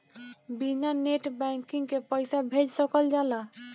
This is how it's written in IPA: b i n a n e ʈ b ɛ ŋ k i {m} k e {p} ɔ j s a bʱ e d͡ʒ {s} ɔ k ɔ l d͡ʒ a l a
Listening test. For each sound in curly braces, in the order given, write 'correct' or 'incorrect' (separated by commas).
incorrect, correct, correct